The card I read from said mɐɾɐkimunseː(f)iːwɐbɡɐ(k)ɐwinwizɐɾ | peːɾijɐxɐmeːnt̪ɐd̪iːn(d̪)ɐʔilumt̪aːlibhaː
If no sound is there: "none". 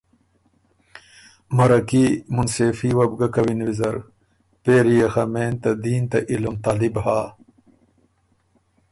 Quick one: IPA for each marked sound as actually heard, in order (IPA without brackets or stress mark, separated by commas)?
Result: f, k, t̪